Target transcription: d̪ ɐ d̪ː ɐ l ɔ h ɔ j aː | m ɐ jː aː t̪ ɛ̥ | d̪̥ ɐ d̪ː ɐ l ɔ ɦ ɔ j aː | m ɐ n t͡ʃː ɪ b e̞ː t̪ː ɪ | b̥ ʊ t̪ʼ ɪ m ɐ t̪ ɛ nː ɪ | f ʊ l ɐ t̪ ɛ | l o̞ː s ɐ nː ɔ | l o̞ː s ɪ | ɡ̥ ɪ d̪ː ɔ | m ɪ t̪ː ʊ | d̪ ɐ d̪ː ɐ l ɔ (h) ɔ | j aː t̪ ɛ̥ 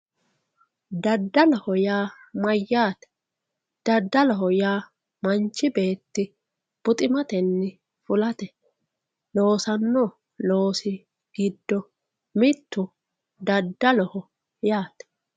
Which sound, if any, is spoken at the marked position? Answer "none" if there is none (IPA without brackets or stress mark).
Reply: h